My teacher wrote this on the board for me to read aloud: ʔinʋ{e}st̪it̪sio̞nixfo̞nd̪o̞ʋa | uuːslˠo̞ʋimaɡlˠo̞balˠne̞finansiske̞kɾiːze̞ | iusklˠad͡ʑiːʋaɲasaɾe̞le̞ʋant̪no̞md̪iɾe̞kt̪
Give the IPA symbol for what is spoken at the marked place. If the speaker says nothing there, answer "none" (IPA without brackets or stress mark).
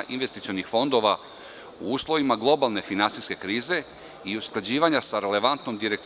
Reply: e